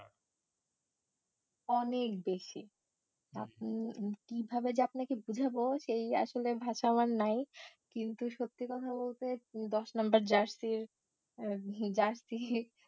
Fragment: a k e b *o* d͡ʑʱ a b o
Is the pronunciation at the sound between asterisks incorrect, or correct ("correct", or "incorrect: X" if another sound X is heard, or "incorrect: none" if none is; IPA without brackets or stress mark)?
incorrect: u